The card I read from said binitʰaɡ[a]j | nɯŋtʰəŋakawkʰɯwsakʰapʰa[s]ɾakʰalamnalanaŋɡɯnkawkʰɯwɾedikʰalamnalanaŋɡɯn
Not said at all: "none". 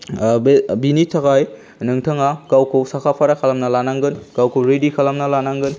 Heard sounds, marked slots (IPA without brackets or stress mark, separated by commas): a, none